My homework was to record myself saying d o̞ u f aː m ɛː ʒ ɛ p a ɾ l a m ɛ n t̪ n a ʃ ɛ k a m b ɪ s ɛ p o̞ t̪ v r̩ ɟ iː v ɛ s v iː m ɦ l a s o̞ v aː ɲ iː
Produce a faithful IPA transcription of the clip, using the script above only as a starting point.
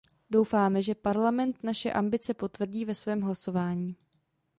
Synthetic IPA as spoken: d o̞ w f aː m ɛ ʒ ɛ p a ɾ l a m ɛ n t̪ n a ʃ ɛ ʔ a m b ɪ t͡s ɛ p o̞ t̪ v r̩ ɟ iː v ɛ s v ɛː m ɦ l a s o̞ v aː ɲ iː